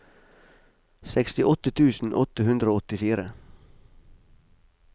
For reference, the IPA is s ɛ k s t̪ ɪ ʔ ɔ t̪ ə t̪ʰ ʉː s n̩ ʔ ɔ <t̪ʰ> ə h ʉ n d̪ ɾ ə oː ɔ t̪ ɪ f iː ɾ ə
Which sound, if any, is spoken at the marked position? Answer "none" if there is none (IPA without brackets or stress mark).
t̪